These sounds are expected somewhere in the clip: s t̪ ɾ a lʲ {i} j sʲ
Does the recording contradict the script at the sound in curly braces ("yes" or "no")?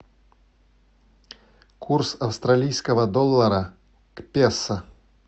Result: no